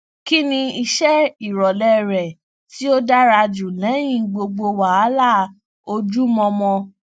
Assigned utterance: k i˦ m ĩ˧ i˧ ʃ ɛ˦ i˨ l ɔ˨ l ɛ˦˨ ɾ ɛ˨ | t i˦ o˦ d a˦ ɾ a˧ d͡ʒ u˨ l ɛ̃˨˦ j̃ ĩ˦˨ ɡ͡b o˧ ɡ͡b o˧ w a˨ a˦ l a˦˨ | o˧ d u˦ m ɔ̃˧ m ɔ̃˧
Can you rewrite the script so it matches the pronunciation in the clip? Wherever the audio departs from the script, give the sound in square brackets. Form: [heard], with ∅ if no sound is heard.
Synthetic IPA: k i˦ [n] ĩ˧ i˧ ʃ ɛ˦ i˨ [ɾ] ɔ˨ l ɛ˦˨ ɾ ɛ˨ | t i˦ o˦ d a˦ ɾ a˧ d͡ʒ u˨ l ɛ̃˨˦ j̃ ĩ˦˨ ɡ͡b o˧ ɡ͡b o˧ w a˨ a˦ l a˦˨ | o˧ [d͡ʒ] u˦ m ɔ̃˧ m ɔ̃˧